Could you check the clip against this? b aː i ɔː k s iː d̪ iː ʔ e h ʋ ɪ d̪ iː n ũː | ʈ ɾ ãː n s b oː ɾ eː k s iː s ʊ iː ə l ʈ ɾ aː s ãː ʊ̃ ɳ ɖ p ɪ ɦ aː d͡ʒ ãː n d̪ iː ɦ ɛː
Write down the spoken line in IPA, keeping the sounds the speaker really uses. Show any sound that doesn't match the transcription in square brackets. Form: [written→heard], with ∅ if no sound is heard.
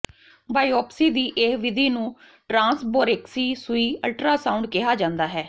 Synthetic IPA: b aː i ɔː [k→p] s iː d̪ iː ʔ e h ʋ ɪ d̪ iː n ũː | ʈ ɾ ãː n s b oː ɾ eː k s iː s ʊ iː ə l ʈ ɾ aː s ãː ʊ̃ ɳ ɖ [p→k] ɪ ɦ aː d͡ʒ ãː n d̪ [iː→aː] ɦ ɛː